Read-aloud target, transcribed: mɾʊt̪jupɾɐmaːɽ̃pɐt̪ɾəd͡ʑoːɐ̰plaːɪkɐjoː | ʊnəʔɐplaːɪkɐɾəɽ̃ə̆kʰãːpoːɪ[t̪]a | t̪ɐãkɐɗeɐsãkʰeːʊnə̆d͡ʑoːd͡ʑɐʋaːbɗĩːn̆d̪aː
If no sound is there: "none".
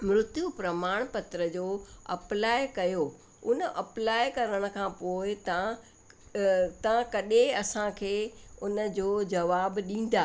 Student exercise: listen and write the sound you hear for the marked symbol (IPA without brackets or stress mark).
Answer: t̪